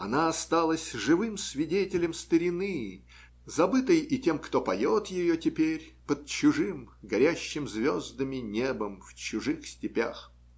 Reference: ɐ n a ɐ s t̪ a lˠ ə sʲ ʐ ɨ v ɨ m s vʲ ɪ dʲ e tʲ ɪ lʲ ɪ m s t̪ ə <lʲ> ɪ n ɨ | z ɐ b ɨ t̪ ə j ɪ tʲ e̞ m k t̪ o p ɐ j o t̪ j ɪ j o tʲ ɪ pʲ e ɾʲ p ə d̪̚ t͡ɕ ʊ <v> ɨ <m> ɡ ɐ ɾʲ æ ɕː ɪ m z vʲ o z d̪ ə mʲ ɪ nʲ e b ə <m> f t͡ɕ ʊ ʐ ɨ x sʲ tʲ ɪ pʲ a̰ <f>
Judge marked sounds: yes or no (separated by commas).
no, no, yes, yes, no